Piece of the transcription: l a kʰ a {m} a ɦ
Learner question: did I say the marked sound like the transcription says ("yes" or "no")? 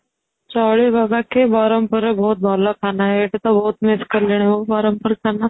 no